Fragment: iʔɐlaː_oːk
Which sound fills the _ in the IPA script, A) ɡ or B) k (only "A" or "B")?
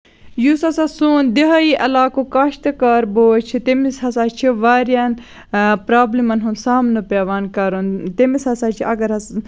B